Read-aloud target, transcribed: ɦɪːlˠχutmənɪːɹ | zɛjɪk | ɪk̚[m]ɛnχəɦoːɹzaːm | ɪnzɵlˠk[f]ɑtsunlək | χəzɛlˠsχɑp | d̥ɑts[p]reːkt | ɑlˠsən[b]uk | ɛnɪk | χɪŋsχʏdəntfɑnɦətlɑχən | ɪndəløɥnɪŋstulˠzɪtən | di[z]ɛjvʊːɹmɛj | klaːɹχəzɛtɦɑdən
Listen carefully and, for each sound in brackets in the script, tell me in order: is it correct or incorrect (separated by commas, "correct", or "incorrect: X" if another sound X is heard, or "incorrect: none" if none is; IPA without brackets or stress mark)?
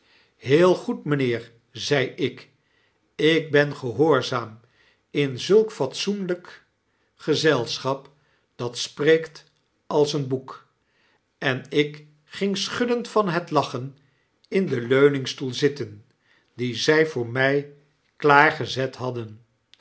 incorrect: b, correct, correct, correct, correct